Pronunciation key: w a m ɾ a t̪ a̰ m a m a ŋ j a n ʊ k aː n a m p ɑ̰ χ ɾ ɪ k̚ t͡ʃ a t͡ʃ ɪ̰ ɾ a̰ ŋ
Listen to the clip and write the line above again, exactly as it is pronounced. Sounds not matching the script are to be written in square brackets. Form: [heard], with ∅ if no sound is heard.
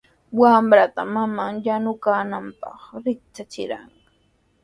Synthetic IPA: w a m ɾ a t̪ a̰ m a m a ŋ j a n ʊ k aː n a m p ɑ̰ χ ɾ ɪ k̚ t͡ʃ a t͡ʃ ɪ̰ ɾ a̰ ŋ

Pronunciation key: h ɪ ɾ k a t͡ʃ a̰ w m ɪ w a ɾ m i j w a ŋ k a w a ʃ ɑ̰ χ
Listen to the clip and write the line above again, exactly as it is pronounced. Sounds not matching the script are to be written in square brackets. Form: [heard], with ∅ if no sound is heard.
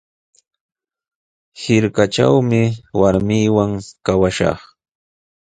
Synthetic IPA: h ɪ ɾ k a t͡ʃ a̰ w m ɪ w a ɾ m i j w a ŋ k a w a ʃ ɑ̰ χ

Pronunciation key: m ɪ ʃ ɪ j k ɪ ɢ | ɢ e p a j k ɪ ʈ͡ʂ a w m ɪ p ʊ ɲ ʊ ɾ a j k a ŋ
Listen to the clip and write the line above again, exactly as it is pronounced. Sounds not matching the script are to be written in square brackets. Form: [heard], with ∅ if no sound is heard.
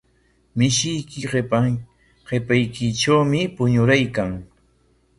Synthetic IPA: m ɪ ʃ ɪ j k ɪ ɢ | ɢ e p a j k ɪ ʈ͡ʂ a w m ɪ p ʊ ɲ ʊ ɾ a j k a ŋ

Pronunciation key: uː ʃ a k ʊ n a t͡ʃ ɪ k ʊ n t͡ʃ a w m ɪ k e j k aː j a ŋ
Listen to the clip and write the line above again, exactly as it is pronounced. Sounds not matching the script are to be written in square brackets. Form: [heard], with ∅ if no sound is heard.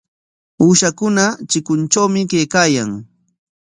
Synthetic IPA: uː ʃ a k ʊ n a t͡ʃ ɪ k ʊ n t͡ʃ a w m ɪ k e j k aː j a ŋ

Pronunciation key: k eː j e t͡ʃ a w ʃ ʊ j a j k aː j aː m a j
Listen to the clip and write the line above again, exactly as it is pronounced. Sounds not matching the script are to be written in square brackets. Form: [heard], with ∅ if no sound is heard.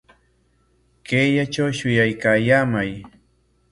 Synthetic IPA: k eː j [a] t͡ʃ a w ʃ ʊ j a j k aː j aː m a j

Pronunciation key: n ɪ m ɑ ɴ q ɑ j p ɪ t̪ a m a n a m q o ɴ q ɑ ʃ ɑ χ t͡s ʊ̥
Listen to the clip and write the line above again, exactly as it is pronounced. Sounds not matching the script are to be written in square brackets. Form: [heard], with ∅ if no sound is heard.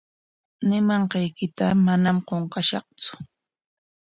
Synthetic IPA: n ɪ m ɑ ɴ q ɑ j [k] ɪ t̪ a m a n a m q o ɴ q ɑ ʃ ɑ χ t͡s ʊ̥

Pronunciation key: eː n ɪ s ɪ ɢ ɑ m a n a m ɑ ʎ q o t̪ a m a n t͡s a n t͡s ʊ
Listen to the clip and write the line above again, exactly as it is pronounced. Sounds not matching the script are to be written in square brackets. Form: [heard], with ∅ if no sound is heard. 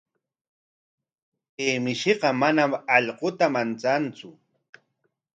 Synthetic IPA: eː [m] ɪ [ʃ] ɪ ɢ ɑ m a n a m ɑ ʎ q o t̪ a m a n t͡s a n t͡s ʊ

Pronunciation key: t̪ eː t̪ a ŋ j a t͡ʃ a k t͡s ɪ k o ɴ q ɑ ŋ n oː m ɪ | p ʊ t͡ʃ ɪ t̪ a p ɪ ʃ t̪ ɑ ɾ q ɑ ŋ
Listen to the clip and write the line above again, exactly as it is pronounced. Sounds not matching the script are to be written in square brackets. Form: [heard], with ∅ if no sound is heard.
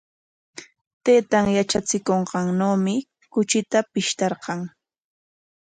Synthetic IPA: t̪ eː t̪ a ŋ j a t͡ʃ a [∅] t͡s ɪ k o ɴ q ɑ ŋ n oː m ɪ | [k] ʊ t͡ʃ ɪ t̪ a p ɪ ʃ t̪ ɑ ɾ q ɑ ŋ

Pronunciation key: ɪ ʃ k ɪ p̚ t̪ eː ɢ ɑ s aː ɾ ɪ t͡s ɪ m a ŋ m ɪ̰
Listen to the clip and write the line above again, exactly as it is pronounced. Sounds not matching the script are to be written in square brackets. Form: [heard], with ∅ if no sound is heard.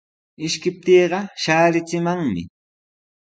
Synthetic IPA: ɪ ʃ k ɪ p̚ t̪ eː ɢ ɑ [ʃ] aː ɾ ɪ t͡s ɪ m a ŋ m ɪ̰

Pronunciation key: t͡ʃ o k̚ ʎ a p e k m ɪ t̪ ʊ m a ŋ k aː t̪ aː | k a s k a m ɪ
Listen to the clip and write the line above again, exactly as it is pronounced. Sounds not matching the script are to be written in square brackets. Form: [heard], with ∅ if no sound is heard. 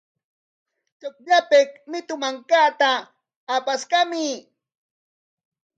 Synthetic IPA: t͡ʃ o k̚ ʎ a p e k m ɪ t̪ ʊ m a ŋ k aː t̪ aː | [p] a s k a m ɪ

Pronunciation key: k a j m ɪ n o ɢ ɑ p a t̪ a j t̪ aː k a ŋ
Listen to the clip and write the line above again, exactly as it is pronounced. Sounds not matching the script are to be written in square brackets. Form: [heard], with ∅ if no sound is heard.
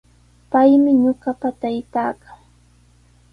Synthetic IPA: [p] a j m ɪ [ɲ] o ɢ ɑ p a t̪ a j t̪ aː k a ŋ

